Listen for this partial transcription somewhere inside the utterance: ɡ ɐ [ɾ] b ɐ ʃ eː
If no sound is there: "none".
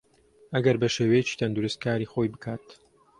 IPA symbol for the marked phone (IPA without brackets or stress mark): ɾ